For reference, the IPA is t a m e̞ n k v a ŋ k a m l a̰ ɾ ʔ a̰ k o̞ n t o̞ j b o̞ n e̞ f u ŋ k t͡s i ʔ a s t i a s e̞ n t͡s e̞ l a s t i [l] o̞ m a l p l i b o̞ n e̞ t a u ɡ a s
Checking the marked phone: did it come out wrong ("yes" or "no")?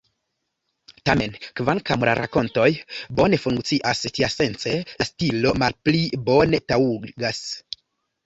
no